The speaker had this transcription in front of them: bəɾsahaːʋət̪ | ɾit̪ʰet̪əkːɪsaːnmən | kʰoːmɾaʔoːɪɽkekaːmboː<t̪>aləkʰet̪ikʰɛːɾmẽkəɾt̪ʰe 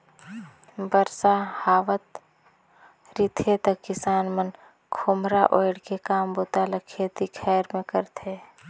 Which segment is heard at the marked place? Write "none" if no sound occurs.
t̪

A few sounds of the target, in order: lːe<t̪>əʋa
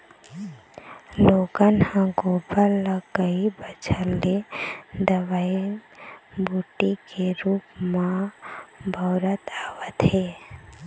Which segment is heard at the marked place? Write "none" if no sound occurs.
d̪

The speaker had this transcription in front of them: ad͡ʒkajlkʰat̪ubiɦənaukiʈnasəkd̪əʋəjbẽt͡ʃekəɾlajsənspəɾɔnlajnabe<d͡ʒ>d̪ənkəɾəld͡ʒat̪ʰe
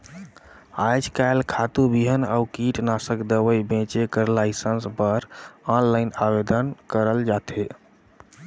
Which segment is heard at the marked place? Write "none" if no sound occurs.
none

